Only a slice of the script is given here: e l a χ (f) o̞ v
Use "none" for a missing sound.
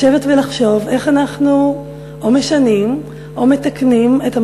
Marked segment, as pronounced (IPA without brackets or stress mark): ʃ